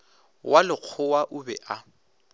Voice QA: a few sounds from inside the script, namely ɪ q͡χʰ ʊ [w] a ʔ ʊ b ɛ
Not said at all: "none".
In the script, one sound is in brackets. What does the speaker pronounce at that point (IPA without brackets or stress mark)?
w